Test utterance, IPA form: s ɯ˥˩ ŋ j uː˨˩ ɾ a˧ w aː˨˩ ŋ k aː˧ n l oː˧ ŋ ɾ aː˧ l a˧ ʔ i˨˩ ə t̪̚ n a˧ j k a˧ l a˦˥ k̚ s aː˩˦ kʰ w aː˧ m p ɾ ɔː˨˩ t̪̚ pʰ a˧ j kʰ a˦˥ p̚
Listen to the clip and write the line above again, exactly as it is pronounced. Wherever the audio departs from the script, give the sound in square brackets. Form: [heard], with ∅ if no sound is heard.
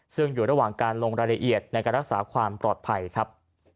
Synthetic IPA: s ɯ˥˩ ŋ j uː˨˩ ɾ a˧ w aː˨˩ ŋ k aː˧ n l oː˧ ŋ ɾ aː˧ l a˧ ʔ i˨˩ ə t̪̚ n a˧ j k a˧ [ɾ] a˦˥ k̚ s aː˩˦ kʰ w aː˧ m p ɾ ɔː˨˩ t̪̚ pʰ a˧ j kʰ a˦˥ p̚